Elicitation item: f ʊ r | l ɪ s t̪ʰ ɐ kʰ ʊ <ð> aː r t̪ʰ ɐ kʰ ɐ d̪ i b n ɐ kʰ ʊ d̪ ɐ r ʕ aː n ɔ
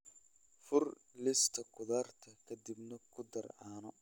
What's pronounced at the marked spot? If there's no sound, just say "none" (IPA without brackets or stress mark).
ð